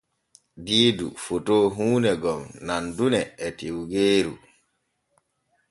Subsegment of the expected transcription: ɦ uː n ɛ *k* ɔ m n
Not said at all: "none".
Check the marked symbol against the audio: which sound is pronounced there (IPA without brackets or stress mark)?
ɡ